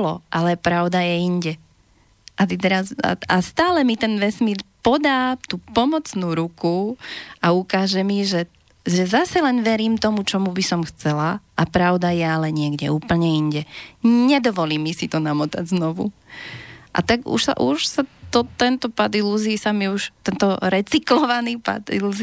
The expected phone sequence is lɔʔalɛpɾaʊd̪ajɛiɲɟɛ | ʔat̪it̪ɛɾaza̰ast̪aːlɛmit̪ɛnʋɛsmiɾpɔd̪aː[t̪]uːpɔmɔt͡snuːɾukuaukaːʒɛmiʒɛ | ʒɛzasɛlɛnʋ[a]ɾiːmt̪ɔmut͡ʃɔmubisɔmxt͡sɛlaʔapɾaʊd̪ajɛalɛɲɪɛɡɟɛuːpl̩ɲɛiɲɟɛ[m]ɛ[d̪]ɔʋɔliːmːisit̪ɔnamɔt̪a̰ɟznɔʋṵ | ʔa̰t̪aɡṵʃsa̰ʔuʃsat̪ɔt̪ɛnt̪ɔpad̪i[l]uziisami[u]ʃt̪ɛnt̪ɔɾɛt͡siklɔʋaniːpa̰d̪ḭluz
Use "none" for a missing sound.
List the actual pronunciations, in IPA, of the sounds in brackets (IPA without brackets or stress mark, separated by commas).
t̪, ɛ, ɲ, d̪, l, u